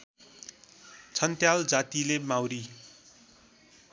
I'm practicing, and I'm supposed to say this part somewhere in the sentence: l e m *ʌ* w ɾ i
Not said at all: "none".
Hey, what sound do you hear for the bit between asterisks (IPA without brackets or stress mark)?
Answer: a